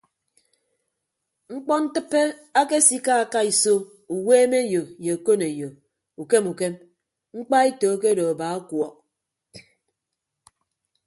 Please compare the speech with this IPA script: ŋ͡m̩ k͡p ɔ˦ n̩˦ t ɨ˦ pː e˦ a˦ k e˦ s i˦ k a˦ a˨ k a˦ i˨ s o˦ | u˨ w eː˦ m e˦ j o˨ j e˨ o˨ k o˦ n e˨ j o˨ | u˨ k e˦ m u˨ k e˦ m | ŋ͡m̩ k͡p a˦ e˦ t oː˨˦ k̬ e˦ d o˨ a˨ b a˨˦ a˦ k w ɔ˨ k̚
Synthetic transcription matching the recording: ŋ͡m̩ k͡p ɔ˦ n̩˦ t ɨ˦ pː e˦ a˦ k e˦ s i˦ k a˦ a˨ k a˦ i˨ s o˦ | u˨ w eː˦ m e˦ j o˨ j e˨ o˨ k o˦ n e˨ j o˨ | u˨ k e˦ m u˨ k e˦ m | ŋ͡m̩ k͡p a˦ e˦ t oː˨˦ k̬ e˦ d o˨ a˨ b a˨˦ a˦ k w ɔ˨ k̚